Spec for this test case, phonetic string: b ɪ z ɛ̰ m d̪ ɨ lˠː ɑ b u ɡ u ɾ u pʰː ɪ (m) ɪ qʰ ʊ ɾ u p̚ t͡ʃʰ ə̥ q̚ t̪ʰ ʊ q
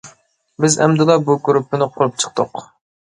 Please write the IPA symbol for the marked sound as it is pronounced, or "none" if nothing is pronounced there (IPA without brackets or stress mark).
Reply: n